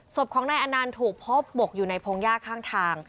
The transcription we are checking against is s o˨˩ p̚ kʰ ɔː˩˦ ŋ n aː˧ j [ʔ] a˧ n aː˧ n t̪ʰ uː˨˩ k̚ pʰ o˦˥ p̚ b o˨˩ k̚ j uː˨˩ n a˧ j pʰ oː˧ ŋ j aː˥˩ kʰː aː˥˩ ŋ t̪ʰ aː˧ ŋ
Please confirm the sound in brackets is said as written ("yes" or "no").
yes